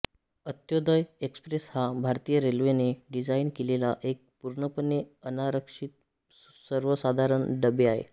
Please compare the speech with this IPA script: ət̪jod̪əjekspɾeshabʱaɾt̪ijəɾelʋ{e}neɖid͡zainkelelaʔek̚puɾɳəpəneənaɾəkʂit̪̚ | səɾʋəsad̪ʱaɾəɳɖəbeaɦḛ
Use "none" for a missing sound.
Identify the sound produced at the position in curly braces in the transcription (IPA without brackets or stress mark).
e